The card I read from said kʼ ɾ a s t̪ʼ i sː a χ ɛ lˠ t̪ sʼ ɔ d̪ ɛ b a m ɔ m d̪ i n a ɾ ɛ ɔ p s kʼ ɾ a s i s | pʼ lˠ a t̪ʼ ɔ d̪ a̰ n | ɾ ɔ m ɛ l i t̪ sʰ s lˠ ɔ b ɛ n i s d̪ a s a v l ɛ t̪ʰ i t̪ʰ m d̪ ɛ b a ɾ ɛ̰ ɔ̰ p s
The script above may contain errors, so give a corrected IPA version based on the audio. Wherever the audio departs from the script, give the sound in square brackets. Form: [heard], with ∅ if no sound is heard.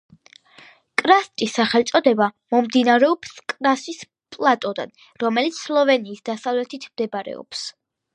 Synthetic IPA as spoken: kʼ ɾ a s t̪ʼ i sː a χ ɛ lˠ t̪ sʼ ɔ d̪ ɛ b a m ɔ m d̪ i n a ɾ ɛ ɔ p s kʼ ɾ a s i s | pʼ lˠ a t̪ʼ ɔ d̪ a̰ n | ɾ ɔ m ɛ l i t̪ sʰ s lˠ ɔ [v] ɛ n [iː] s d̪ a s a v l ɛ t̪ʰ i t̪ʰ m d̪ ɛ b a ɾ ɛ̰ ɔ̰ p s

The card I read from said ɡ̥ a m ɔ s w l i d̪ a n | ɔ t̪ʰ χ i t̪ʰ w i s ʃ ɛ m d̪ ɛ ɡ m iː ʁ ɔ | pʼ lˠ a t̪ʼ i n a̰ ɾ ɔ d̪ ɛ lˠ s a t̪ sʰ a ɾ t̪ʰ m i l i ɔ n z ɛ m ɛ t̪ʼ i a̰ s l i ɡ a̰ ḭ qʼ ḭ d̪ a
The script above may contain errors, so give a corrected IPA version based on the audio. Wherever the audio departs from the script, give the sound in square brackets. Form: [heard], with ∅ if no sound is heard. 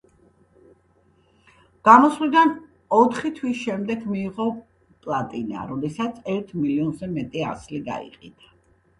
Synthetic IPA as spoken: ɡ̥ a m ɔ s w l i d̪ a n | ɔ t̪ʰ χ i t̪ʰ w i s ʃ ɛ m d̪ ɛ ɡ m iː ʁ ɔ | pʼ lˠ a t̪ʼ i n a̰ ɾ ɔ d̪ ɛ [∅] s a t̪ sʰ [ɛ] ɾ t̪ʰ m i l i ɔ n z ɛ m ɛ t̪ʼ i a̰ s l i ɡ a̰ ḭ qʼ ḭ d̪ a

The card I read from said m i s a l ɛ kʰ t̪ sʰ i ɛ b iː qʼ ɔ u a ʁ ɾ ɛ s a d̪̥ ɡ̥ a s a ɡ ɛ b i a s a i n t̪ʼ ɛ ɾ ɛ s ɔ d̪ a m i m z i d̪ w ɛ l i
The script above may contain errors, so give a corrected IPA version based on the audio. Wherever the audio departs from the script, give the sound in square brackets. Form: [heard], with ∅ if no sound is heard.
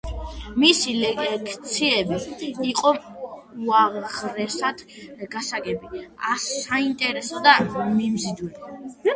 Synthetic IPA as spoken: m i s [i] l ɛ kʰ t̪ sʰ i ɛ b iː qʼ ɔ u a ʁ ɾ ɛ s a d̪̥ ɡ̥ a s a ɡ ɛ b i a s a i n t̪ʼ ɛ ɾ ɛ s ɔ d̪ a m i m z i d̪ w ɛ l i

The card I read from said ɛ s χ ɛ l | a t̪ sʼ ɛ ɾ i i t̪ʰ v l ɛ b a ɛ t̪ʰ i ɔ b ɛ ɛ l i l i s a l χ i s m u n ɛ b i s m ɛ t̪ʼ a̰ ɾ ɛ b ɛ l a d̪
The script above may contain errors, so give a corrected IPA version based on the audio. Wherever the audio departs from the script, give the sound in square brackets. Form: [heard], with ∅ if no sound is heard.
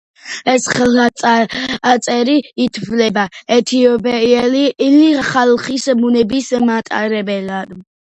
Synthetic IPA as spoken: ɛ s χ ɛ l | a t̪ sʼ ɛ ɾ i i t̪ʰ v l ɛ b a ɛ t̪ʰ i ɔ b ɛ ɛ l i l i [χ] a l χ i s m u n ɛ b i s m [a] t̪ʼ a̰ ɾ ɛ b ɛ l a d̪

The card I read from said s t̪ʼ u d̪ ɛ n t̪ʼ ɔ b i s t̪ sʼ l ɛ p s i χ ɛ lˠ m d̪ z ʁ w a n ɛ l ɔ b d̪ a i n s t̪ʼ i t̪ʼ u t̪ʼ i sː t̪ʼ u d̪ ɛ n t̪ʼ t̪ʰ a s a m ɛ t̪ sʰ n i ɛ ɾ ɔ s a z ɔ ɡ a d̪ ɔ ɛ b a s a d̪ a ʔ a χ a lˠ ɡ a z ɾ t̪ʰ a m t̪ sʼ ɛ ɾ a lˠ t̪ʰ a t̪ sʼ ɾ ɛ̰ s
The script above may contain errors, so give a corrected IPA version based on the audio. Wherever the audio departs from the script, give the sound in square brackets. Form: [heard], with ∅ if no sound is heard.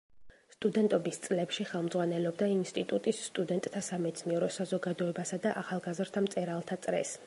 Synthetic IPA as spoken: s t̪ʼ u d̪ ɛ n t̪ʼ ɔ b i s t̪ sʼ l ɛ p [ʃ] i χ ɛ lˠ m d̪ z ʁ w a n ɛ l ɔ b d̪ a i n s t̪ʼ i t̪ʼ u t̪ʼ i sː t̪ʼ u d̪ ɛ n t̪ʼ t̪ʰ a s a m ɛ t̪ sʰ n i ɛ ɾ ɔ s a z ɔ ɡ a d̪ ɔ ɛ b a s a d̪ a ʔ a χ a lˠ ɡ a z ɾ t̪ʰ a m t̪ sʼ ɛ ɾ a lˠ t̪ʰ a t̪ sʼ ɾ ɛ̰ s

